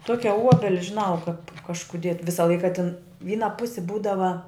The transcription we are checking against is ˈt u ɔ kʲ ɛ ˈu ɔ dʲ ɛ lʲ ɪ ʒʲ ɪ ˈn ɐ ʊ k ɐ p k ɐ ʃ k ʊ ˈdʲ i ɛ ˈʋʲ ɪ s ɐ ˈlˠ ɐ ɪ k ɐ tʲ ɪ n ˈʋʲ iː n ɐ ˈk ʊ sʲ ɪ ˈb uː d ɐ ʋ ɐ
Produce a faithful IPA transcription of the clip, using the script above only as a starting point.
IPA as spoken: ˈt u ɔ kʲ ɛ ˈu ɔ bʲ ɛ lʲ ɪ ʒʲ ɪ ˈn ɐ ʊ k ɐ p k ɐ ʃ k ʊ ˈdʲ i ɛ ˈʋʲ ɪ s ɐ ˈlˠ ɐ ɪ k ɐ tʲ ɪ n ˈʋʲ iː n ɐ ˈp ʊ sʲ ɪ ˈb uː d ɐ ʋ ɐ